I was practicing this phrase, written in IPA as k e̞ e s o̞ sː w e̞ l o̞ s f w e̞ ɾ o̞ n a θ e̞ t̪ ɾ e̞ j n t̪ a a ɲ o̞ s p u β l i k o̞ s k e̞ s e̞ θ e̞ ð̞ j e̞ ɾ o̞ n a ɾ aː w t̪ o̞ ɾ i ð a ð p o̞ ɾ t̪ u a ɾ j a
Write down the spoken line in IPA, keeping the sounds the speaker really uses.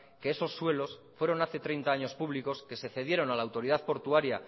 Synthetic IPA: k e̞ e s o̞ sː w e̞ l o̞ s f w e̞ ɾ o̞ n a θ e̞ t̪ ɾ e̞ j n t̪ a a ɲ o̞ s p u β l i k o̞ s k e̞ s e̞ θ e̞ ð̞ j e̞ ɾ o̞ n a l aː w t̪ o̞ ɾ i ð a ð p o̞ ɾ t̪ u a ɾ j a